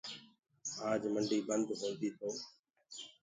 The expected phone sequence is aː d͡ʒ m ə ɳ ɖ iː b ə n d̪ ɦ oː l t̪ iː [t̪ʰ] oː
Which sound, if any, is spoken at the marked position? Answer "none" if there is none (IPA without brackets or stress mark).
t̪ʰ